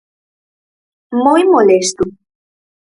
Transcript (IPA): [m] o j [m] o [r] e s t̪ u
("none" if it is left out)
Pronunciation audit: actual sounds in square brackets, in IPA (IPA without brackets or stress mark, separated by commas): m, m, l